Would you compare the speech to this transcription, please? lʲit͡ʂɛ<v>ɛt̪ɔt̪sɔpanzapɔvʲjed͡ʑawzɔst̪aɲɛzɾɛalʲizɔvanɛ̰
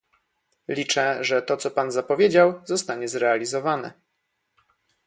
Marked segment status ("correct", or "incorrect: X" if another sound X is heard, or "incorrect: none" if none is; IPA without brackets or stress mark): incorrect: ʐ